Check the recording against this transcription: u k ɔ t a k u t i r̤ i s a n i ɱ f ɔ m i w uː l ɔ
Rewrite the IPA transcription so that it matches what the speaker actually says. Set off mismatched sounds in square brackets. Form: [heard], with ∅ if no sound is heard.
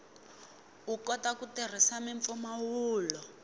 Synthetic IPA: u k ɔ t a k u t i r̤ i s a [m] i ɱ f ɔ m [a] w uː l ɔ